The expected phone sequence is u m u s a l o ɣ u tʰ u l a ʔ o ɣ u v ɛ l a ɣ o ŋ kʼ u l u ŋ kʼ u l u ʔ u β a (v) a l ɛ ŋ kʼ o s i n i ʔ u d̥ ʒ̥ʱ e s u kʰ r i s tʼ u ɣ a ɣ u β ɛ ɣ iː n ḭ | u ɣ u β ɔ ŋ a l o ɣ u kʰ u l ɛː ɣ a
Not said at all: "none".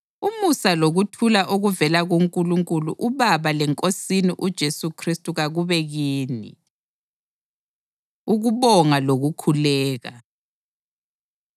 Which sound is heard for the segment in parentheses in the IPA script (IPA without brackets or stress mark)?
β